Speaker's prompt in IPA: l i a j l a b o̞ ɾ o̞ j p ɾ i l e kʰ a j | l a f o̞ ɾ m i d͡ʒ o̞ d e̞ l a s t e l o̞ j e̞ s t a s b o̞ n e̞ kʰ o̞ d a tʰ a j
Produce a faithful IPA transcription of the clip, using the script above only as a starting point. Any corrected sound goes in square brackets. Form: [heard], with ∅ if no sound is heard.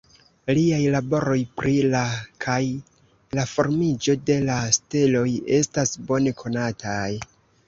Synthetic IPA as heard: l i a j l a b o̞ ɾ o̞ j p ɾ i l [a] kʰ a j | l a f o̞ ɾ m i d͡ʒ o̞ d e̞ l a s t e l o̞ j e̞ s t a s b o̞ n e̞ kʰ o̞ [n] a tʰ a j